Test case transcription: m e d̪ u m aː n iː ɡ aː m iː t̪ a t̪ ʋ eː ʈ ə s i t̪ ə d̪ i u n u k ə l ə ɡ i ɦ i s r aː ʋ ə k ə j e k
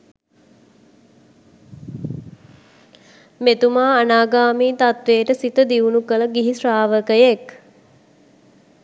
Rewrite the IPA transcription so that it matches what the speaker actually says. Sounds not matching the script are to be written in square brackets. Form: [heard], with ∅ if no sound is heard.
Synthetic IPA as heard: m e [t̪] u m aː n [aː] ɡ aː m iː t̪ a t̪ ʋ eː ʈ ə s i t̪ ə d̪ i u n u k ə l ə ɡ i ɦ i s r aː ʋ ə k ə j e k